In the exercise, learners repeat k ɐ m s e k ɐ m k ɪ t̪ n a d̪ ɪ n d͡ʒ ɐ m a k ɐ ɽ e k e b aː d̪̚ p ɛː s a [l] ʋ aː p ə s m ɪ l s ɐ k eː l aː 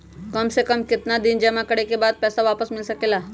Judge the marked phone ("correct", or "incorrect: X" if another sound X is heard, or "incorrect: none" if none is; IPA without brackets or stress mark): incorrect: none